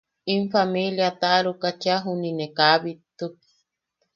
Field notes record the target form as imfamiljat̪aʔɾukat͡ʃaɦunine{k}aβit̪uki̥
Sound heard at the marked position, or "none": k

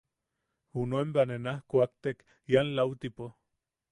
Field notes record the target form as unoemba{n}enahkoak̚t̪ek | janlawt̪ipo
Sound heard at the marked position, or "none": n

